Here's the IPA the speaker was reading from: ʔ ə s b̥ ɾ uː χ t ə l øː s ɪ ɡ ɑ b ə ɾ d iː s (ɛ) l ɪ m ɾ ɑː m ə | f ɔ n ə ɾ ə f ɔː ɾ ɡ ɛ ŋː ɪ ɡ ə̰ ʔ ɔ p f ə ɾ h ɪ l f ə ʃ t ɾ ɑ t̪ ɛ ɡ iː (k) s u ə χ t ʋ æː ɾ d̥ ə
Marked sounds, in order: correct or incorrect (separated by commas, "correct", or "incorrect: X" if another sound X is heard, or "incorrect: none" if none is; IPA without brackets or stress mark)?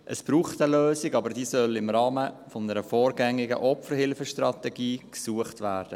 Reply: incorrect: œ, correct